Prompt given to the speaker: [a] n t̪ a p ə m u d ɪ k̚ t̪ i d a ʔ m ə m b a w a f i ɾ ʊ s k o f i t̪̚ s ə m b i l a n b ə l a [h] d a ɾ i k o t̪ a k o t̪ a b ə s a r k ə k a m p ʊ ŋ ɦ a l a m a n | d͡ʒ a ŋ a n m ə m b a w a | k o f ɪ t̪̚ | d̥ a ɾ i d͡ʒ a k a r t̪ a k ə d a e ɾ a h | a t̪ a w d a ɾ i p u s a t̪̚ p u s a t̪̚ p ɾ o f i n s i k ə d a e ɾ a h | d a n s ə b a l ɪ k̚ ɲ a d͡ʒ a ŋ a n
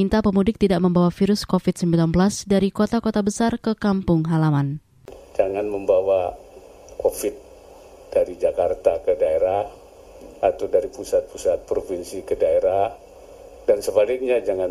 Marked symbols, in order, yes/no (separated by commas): no, no